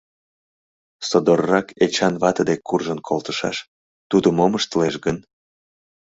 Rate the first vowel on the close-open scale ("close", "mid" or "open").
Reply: mid